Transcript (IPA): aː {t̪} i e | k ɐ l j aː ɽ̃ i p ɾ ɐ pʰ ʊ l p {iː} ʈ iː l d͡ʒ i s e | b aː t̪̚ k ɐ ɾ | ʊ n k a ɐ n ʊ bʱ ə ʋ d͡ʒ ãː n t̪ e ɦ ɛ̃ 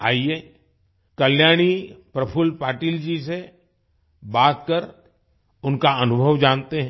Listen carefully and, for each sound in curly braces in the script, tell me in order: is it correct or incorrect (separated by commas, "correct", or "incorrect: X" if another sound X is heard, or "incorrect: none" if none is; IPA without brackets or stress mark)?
incorrect: none, incorrect: aː